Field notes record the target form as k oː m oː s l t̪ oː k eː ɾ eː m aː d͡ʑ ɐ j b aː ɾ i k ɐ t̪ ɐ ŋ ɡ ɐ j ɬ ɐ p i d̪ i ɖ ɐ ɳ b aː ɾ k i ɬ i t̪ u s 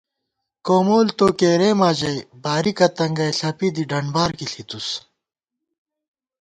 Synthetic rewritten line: k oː m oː l t̪ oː k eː ɾ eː m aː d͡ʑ ɐ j b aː ɾ i k ɐ t̪ ɐ ŋ ɡ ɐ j ɬ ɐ p i d̪ i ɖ ɐ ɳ b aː ɾ k i ɬ i t̪ u s